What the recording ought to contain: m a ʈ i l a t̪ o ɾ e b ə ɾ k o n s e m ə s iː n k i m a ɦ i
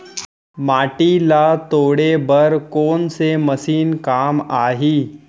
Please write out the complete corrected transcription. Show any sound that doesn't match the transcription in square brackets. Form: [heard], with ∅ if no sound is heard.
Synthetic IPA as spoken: m a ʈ i l a t̪ o [ɽ] e b ə ɾ k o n s e m ə s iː n k [a] m a ɦ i